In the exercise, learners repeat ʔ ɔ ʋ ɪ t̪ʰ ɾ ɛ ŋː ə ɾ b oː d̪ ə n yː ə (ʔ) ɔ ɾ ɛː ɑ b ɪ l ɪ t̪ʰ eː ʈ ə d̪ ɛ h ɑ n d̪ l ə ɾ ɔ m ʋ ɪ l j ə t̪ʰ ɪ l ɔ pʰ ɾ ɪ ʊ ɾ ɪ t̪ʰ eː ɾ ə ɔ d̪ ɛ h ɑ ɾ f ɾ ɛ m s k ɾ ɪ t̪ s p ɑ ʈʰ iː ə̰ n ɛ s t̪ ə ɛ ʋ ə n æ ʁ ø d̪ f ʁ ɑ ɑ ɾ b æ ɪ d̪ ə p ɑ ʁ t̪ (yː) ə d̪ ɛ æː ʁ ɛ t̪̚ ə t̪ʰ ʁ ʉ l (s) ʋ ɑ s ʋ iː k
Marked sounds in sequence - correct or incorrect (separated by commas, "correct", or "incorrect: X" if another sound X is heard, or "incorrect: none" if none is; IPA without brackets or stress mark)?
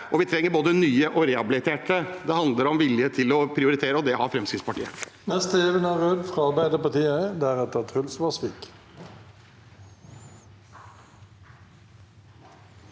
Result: correct, incorrect: iː, correct